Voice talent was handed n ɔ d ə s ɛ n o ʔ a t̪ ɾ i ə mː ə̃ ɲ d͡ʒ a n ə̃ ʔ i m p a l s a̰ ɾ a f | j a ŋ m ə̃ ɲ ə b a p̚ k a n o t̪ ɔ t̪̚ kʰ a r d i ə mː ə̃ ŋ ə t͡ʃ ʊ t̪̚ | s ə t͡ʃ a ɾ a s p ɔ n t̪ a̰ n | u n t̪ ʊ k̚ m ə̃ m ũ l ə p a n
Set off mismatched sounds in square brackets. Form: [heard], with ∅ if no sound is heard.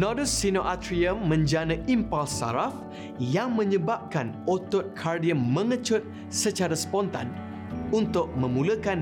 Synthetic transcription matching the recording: n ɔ d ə s [i] n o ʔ a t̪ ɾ i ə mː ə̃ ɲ d͡ʒ a n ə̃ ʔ i m p a l s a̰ ɾ a f | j a ŋ m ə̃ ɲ ə b a p̚ k a n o t̪ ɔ t̪̚ kʰ a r d i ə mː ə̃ ŋ ə t͡ʃ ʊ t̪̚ | s ə t͡ʃ a ɾ a s p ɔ n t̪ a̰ n | u n t̪ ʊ k̚ m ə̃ m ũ l ə [k] a n